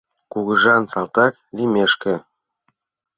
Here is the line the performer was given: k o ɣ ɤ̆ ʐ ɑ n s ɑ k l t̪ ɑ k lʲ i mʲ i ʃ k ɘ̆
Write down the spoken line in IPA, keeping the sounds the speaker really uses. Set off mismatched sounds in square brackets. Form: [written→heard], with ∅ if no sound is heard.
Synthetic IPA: k [o→u] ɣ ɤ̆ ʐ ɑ n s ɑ [k→∅] l t̪ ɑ k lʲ i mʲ [i→e] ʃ k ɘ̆